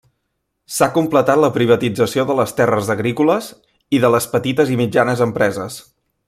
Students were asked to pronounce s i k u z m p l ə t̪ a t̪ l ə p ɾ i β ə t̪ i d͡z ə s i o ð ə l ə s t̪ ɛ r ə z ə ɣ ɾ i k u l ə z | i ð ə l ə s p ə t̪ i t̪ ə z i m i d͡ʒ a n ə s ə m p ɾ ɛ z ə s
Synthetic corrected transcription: s a k u m p l ə t̪ a t̪ l ə p ɾ i β ə t̪ i d͡z ə s i o ð ə l ə s t̪ ɛ r ə z ə ɣ ɾ i k u l ə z | i ð ə l ə s p ə t̪ i t̪ ə z i m i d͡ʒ a n ə z ə m p ɾ ɛ z ə s